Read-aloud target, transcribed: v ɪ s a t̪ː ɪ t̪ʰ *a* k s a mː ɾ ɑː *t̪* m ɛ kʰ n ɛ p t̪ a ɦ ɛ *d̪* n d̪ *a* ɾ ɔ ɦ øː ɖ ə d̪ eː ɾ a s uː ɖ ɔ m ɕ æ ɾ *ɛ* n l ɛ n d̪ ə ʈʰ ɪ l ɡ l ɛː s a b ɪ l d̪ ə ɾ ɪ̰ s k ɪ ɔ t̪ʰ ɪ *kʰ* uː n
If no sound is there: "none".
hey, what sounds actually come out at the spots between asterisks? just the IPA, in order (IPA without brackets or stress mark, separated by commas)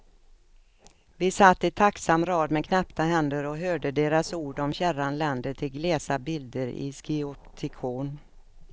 a, d̪, none, ə, a, kʰ